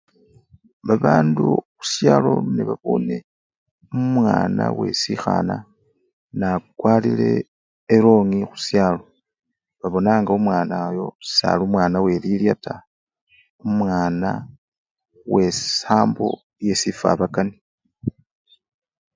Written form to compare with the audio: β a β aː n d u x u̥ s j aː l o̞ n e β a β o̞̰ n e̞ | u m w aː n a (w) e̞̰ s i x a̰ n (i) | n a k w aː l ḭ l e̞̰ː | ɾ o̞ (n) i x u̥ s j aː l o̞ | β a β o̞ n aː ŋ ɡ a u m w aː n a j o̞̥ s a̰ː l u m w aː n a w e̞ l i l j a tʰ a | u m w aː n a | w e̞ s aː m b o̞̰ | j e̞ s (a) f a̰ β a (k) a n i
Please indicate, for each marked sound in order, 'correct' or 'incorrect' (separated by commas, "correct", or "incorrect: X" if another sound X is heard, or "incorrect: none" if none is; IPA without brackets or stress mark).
correct, incorrect: a, incorrect: ŋ, incorrect: i, correct